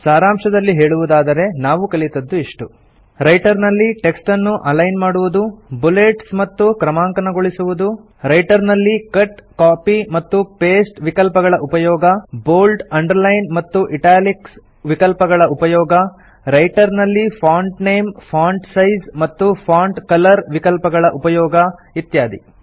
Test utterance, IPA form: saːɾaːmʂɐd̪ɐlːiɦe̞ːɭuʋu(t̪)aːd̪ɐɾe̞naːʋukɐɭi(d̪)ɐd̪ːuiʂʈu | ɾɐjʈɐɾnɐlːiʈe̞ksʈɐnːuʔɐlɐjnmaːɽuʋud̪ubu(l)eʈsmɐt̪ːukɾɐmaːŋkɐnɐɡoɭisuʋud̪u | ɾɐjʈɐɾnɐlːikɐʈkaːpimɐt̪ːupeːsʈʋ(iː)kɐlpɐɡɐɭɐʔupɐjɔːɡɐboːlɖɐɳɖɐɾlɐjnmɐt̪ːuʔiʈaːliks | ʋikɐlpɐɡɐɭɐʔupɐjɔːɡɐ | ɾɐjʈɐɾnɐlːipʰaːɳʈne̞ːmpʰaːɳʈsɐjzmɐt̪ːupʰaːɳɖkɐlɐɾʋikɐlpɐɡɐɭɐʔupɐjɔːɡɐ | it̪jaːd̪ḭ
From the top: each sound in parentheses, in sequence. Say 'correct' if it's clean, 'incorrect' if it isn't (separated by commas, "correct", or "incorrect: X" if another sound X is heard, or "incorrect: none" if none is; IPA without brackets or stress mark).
incorrect: d̪, incorrect: t̪, correct, incorrect: i